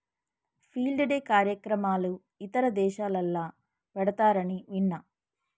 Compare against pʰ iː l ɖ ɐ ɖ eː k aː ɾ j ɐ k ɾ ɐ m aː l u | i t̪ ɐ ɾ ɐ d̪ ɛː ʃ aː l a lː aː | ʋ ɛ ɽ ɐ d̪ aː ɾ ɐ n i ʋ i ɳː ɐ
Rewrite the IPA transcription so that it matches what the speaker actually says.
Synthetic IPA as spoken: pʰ iː l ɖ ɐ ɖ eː k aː ɾ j ɐ k ɾ ɐ m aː l u | i t̪ ɐ ɾ ɐ d̪ ɛː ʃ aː l ɐ lː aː | ʋ ɛ ɽ ɐ t̪ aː ɾ ɐ n i ʋ i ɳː ɐ